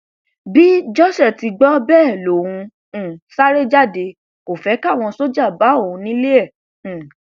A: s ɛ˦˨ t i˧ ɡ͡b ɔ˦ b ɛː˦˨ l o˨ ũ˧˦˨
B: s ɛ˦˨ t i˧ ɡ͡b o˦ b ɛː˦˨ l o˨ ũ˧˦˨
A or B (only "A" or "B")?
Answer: A